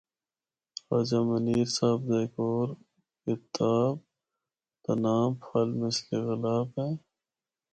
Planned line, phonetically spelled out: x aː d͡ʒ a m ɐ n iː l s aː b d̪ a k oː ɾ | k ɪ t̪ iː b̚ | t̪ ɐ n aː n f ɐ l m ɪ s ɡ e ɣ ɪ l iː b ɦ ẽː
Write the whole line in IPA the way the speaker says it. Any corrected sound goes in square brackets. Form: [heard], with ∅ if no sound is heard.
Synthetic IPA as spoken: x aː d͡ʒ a m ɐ n iː [ɾ] s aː b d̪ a k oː ɾ | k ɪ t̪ [aː] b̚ | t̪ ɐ n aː [m] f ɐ l m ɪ s [k] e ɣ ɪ l [aː] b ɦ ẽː